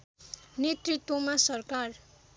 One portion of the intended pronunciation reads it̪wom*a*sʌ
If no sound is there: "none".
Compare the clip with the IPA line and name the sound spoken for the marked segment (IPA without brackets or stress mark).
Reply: a